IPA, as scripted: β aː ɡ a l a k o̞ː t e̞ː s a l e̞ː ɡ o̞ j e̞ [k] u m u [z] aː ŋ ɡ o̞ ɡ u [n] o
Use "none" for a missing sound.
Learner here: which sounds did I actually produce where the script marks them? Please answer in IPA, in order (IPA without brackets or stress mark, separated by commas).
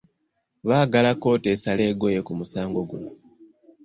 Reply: k, s, n